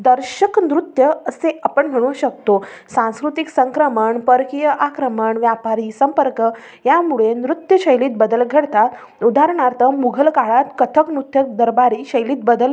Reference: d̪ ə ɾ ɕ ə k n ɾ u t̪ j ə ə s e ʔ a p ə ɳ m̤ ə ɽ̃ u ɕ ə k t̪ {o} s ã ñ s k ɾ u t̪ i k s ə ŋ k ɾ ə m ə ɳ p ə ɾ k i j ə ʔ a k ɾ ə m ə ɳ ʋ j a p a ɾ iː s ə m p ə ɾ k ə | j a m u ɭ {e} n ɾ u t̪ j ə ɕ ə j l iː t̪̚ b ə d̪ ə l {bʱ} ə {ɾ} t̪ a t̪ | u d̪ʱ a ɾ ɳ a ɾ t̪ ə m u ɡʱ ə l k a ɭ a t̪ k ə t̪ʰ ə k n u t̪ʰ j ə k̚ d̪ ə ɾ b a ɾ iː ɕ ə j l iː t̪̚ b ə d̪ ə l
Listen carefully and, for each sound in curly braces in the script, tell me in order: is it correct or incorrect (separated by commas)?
correct, correct, incorrect, incorrect